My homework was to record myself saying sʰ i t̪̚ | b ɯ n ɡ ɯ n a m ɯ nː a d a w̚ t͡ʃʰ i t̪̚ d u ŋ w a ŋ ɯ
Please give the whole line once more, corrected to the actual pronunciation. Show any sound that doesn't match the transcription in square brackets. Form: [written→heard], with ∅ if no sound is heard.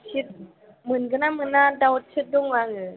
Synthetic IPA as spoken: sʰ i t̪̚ | [b→m] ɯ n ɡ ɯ n a m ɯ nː a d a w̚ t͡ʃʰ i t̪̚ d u ŋ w a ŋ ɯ

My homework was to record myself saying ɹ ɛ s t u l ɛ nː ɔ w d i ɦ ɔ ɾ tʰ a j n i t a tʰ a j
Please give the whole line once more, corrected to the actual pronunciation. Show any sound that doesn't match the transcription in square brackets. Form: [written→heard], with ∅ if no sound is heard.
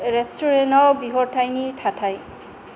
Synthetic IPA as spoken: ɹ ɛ s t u [l→ɹ] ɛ [nː→n] ɔ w [d→b] i ɦ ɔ [ɾ→ɹ] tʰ a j n i [t→tʰ] a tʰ a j

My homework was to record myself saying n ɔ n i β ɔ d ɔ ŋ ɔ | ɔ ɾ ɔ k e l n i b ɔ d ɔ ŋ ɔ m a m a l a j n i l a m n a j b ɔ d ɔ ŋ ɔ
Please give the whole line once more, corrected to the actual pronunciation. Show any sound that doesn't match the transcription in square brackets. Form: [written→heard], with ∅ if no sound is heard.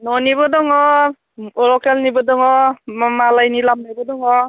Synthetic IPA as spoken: n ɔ n i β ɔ d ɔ ŋ ɔ | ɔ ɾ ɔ k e l n i b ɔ d ɔ ŋ ɔ m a m a l a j n i l a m n a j b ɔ d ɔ ŋ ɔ

